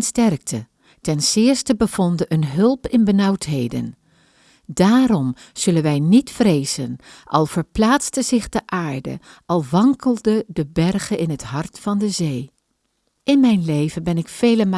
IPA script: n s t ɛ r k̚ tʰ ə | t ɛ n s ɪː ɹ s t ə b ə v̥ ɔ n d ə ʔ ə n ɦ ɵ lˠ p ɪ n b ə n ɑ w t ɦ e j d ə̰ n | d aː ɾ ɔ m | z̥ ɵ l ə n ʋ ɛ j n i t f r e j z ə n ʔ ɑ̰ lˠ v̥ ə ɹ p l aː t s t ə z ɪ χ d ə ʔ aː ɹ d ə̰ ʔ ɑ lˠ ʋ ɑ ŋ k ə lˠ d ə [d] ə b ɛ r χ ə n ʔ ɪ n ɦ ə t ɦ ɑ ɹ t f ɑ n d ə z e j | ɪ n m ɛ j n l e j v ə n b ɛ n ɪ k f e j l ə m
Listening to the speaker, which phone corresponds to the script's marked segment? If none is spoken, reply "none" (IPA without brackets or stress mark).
d